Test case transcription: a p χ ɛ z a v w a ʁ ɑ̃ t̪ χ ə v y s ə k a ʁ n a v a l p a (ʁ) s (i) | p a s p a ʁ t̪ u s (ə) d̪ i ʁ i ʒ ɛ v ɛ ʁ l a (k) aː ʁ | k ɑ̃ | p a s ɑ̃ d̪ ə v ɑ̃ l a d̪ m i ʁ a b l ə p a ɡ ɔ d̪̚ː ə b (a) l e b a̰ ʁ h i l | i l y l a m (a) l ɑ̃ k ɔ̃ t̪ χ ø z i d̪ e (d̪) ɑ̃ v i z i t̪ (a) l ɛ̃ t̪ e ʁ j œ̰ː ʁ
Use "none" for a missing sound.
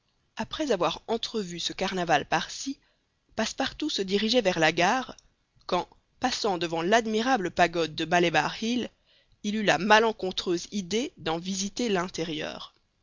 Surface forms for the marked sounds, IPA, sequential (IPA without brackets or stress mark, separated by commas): ʁ, i, ə, ɡ, a, a, d̪, e